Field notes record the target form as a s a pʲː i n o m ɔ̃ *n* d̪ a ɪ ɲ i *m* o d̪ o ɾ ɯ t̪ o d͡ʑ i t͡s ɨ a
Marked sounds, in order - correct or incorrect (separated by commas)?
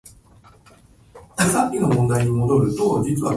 correct, correct